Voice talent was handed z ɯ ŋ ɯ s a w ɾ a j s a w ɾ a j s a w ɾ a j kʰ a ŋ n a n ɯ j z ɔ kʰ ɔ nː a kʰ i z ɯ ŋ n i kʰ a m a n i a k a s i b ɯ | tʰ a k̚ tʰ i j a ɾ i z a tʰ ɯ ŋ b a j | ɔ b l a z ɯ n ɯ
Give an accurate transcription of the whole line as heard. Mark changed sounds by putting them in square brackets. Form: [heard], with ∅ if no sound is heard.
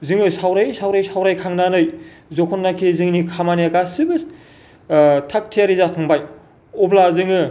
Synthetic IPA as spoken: z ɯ ŋ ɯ s a w ɾ a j s a w ɾ a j s a w ɾ a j kʰ a ŋ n a n ɯ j z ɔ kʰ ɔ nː a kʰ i z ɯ ŋ n i kʰ a m a n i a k a s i b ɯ | tʰ a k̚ tʰ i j a ɾ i z a tʰ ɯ ŋ b a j | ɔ b l a z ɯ [ŋ] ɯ